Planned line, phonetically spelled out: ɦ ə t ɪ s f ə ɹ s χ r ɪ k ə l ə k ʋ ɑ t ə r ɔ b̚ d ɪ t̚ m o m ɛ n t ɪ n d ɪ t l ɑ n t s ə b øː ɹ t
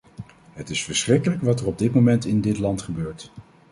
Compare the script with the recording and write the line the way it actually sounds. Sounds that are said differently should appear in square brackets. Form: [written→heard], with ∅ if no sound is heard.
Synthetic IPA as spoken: ɦ ə t ɪ s f ə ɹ s χ r ɪ k ə l ə k ʋ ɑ t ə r ɔ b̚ d ɪ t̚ m o m ɛ n t ɪ n d ɪ t l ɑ n t [s→χ] ə b øː ɹ t